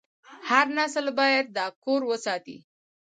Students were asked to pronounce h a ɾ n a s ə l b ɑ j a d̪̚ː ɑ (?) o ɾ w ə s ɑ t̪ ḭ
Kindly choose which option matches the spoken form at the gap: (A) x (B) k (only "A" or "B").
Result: B